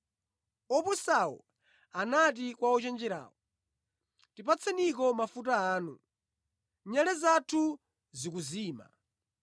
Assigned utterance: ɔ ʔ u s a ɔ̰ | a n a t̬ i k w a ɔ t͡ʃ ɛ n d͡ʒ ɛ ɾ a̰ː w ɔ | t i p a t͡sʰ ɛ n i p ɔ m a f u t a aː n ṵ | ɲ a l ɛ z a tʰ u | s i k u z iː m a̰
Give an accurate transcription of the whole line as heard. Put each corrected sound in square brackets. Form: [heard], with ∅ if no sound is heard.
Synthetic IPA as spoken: ɔ [p] u s a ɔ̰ | a n a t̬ i k w a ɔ t͡ʃ ɛ n d͡ʒ ɛ ɾ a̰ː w ɔ | t i p a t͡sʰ ɛ n i [k] ɔ m a f u t a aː n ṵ | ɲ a l ɛ z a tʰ u | [z] i k u z iː m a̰